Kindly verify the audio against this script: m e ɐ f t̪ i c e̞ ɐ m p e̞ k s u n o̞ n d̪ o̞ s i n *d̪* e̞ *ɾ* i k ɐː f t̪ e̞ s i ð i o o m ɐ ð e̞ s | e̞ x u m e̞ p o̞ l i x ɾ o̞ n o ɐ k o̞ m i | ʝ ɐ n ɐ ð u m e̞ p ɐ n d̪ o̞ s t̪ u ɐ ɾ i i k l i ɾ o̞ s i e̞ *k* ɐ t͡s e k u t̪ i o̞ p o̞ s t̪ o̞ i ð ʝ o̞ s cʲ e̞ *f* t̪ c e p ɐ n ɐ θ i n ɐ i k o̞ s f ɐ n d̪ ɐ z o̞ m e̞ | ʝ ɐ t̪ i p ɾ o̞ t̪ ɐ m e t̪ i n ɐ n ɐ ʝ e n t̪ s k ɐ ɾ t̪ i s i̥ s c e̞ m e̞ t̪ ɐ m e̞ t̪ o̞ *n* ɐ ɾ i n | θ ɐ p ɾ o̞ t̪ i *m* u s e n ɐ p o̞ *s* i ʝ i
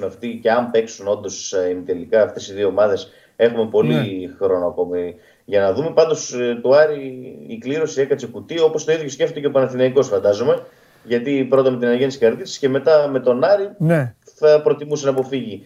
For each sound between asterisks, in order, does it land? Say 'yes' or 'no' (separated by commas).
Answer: no, no, yes, yes, yes, yes, no